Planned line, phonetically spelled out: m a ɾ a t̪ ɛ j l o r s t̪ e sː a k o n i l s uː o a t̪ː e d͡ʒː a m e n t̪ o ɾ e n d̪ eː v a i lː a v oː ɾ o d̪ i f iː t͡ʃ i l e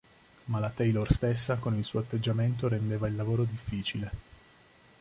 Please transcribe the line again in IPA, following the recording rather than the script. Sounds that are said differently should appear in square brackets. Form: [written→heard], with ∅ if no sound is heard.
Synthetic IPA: m a [ɾ→l] a t̪ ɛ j l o r s t̪ e sː a k o n i l s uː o a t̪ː e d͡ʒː a m e n t̪ o ɾ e n d̪ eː v a i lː a v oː ɾ o d̪ i [f→fː] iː t͡ʃ i l e